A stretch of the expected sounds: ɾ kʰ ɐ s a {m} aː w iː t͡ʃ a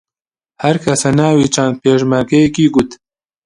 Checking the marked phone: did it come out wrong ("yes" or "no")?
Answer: yes